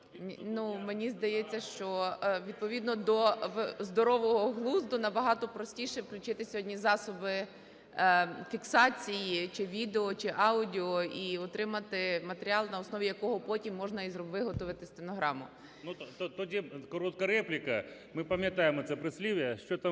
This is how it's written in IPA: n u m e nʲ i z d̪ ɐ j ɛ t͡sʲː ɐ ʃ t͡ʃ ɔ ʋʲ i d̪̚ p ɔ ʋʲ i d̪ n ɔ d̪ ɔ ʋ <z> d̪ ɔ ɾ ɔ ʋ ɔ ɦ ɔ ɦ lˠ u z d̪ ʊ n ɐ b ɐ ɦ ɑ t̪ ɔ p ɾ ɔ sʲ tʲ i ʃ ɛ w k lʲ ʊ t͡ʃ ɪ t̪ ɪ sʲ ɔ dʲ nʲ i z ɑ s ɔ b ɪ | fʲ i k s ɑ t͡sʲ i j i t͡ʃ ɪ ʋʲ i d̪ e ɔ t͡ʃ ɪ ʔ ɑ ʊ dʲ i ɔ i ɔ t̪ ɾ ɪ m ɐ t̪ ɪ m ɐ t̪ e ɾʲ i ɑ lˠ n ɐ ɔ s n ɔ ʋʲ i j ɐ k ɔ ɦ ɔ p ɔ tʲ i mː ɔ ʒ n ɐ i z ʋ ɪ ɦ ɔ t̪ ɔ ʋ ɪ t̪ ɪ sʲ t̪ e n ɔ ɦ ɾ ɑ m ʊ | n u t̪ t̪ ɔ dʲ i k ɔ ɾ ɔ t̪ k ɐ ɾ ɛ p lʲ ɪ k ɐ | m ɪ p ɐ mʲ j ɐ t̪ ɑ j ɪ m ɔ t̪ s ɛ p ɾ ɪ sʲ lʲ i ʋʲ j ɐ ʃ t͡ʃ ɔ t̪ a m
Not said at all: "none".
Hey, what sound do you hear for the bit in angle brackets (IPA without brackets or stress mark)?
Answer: z